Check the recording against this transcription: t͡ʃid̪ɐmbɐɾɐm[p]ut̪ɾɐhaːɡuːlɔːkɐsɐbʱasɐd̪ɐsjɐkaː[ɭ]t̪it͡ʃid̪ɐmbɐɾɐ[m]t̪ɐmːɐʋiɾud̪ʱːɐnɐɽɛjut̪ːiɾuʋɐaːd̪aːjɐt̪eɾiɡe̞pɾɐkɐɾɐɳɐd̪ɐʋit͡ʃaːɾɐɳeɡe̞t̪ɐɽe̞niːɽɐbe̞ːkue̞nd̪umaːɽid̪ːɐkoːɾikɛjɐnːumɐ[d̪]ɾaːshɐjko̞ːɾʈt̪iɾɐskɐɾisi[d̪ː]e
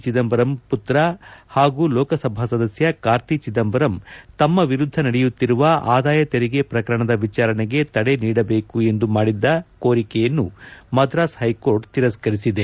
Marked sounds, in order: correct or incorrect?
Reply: correct, incorrect: ɾ, correct, correct, incorrect: d̪

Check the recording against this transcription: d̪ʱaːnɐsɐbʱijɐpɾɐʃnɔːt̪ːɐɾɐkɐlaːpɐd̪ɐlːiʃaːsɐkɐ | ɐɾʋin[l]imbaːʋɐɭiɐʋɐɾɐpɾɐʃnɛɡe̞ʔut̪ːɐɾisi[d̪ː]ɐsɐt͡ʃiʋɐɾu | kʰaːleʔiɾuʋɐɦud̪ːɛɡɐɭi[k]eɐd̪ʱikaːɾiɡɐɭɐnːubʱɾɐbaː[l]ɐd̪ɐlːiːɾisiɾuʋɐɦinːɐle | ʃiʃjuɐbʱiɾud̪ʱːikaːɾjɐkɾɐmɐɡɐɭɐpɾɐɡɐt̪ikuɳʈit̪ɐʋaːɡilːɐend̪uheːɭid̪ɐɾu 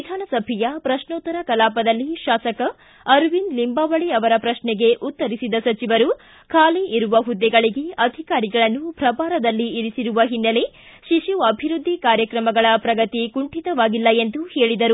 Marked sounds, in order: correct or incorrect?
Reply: correct, incorrect: d̪, incorrect: ɡ, incorrect: ɾ

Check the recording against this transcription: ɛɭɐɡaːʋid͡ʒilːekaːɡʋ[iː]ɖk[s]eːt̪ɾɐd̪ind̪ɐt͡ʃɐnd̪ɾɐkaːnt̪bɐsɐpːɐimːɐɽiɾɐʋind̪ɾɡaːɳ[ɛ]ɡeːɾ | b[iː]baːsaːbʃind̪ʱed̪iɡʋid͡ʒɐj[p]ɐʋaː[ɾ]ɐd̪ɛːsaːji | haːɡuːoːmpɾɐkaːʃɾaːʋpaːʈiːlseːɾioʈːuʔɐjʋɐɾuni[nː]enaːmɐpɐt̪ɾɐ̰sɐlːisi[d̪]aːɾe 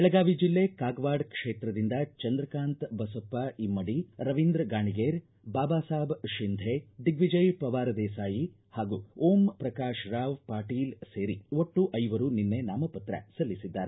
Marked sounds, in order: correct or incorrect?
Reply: incorrect: aː, incorrect: ʂ, incorrect: i, incorrect: aː, correct, correct, correct, incorrect: d̪ː

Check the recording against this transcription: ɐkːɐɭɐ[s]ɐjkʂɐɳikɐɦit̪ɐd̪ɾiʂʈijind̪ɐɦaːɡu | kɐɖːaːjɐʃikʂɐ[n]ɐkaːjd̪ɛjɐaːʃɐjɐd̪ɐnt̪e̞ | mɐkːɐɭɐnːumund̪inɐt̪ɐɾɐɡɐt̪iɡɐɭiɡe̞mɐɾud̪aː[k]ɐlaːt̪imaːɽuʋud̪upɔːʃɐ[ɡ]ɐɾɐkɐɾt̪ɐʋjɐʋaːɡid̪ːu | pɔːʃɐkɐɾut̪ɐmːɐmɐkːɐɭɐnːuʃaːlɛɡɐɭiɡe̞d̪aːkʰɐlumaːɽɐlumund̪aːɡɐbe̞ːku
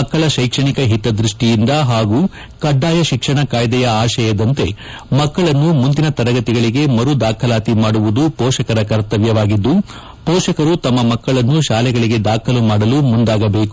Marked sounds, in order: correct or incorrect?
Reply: incorrect: ʃ, incorrect: ɳ, incorrect: kʰ, incorrect: k

